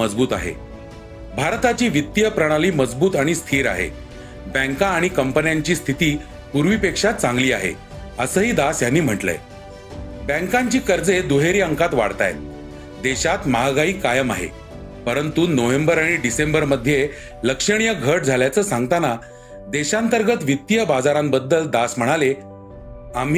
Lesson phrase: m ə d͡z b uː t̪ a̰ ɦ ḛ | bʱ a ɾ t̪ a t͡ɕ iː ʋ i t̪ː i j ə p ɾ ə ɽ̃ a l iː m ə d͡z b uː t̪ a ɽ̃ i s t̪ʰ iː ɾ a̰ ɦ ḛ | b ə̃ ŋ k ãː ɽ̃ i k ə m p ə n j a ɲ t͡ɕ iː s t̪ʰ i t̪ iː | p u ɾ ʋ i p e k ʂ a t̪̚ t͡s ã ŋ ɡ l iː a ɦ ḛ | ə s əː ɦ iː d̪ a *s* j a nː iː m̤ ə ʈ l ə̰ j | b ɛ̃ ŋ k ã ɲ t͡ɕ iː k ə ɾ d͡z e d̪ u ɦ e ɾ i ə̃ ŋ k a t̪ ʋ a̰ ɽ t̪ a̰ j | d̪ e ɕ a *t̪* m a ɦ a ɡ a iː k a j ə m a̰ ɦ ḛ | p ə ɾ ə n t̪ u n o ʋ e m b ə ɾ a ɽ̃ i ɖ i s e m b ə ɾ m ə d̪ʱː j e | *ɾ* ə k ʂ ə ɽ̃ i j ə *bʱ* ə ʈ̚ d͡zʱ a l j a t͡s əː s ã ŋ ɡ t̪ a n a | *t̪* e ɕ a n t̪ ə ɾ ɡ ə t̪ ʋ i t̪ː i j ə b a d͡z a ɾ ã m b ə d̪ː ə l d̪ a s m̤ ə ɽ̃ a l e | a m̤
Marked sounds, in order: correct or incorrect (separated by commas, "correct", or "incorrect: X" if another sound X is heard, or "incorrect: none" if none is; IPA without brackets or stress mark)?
correct, correct, incorrect: l, incorrect: ɡʱ, incorrect: d̪